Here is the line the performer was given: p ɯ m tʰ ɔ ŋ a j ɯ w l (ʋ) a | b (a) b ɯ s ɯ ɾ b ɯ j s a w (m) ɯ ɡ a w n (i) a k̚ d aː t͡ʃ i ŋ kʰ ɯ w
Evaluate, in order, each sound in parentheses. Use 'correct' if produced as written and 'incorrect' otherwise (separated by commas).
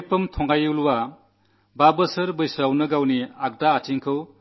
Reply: incorrect, correct, incorrect, correct